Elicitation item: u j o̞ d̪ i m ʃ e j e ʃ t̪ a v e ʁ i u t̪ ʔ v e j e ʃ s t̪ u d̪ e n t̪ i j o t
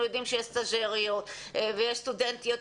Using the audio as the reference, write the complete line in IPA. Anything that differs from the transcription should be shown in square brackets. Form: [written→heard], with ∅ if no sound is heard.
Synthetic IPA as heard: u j o̞ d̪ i m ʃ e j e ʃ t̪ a [v→ʒ] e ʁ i [u→o] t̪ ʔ v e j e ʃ s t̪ u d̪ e n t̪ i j o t